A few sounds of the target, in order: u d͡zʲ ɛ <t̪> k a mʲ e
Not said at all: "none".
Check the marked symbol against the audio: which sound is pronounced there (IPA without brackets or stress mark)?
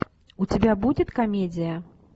t̪